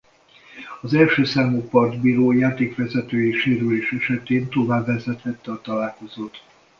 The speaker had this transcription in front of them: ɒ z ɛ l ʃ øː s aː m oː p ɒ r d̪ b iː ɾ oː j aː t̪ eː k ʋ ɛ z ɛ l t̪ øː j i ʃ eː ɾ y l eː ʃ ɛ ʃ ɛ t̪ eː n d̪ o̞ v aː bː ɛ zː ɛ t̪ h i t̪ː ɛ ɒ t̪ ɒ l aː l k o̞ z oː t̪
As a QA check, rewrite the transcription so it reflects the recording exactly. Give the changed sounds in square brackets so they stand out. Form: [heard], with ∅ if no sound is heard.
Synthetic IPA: ɒ z ɛ l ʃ øː s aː m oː p ɒ r d̪ b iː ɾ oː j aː t̪ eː k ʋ ɛ z ɛ [∅] t̪ øː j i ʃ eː ɾ y l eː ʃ ɛ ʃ ɛ t̪ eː n [t̪] o̞ v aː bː ɛ [z] ɛ t̪ h [ɛ] t̪ː ɛ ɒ t̪ ɒ l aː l k o̞ z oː t̪